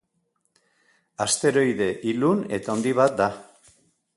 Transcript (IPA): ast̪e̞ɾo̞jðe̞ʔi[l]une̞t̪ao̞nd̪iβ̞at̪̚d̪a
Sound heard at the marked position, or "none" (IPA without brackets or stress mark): l